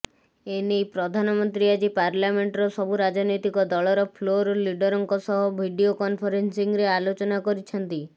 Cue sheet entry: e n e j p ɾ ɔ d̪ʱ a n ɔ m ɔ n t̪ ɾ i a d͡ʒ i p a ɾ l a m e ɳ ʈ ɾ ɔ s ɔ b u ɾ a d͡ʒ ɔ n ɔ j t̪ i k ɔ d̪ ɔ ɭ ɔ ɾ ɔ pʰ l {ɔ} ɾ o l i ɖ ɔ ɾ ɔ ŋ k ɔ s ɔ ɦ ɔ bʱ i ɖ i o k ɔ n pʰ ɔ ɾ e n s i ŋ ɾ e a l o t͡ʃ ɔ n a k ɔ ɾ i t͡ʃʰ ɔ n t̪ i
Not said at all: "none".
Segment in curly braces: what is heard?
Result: o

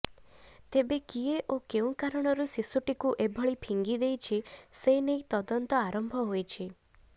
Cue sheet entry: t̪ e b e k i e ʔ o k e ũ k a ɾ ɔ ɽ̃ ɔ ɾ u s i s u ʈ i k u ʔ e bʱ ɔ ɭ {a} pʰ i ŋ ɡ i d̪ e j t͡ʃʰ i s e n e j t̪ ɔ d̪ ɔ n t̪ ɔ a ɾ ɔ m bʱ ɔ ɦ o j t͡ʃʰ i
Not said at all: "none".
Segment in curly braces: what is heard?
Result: i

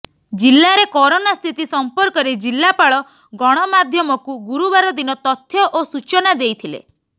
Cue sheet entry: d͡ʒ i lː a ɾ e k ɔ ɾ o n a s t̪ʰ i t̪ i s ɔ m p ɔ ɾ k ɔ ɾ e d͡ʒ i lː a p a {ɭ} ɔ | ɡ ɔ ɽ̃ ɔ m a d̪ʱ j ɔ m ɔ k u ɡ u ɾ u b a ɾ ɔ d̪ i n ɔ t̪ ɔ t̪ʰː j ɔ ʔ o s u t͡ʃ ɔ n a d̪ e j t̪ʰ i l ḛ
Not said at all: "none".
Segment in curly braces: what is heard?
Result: ɭ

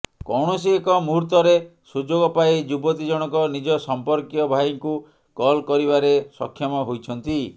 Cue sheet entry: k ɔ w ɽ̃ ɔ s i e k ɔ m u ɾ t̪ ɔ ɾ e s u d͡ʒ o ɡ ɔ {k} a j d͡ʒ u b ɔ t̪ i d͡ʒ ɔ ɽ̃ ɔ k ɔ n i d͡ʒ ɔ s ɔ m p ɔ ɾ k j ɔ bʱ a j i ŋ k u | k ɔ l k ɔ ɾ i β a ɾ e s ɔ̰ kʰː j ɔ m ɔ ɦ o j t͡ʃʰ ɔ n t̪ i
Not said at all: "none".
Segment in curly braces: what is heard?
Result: p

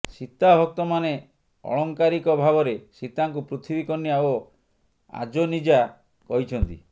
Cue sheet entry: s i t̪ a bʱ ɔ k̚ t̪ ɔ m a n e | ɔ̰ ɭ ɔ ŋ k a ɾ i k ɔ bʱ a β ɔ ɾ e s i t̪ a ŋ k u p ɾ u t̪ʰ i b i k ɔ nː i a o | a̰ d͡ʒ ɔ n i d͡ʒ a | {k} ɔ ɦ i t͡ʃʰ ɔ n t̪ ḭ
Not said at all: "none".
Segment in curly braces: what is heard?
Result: k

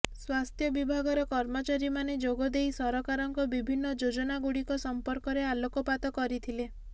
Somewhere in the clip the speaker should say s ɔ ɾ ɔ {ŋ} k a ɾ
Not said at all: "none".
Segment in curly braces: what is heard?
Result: none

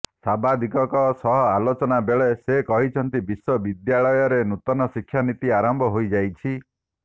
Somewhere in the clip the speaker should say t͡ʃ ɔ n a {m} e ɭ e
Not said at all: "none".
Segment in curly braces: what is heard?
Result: b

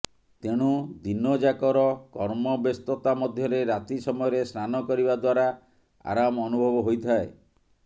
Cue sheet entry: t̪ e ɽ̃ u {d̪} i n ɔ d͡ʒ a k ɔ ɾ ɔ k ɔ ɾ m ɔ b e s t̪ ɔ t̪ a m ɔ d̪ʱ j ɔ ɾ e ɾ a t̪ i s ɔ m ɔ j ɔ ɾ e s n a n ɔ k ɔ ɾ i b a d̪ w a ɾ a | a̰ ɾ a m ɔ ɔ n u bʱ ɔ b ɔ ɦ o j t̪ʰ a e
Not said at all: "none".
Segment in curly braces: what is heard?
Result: d̪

